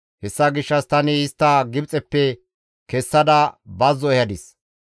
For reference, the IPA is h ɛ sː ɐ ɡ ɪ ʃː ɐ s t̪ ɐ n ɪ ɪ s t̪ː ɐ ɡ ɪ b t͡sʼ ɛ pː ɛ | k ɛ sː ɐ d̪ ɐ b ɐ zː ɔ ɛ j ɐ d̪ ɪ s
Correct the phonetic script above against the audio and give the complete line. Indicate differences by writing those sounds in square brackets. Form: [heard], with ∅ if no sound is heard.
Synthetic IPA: h ɛ sː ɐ ɡ ɪ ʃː ɐ s t̪ ɐ n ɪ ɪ s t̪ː ɐ ɡ ɪ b t͡sʼ ɛ pː ɛ | k ɛ sː ɐ d̪ ɐ b ɐ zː ɔ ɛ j ɐ d̪ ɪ s